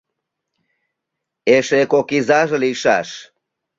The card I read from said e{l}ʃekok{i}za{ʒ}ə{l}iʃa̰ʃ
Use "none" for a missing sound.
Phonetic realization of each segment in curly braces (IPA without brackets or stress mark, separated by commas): none, i, ʒ, l